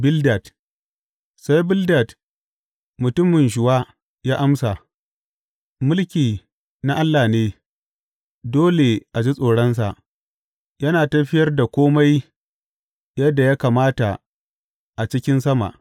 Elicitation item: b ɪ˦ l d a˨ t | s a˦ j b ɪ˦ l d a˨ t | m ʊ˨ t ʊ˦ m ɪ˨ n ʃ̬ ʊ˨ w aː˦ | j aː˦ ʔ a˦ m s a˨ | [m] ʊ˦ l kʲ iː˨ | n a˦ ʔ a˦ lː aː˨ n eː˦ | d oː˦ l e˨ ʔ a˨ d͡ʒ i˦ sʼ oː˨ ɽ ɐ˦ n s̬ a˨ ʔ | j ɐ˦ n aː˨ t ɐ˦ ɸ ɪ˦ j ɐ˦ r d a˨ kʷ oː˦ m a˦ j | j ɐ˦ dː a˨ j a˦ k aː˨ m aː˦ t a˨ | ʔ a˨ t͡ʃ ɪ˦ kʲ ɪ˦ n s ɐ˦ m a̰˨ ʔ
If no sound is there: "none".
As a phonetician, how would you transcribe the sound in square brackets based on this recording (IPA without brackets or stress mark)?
m